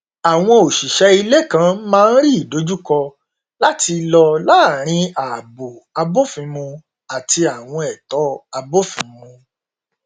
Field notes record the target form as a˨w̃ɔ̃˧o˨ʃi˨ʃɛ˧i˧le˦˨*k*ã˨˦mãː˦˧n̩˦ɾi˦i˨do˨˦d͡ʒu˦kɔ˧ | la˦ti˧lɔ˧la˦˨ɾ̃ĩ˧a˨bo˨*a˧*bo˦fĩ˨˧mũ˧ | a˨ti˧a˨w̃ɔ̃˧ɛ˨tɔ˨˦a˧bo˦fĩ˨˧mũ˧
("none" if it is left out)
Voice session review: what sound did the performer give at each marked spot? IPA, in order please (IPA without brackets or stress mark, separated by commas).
k, a˧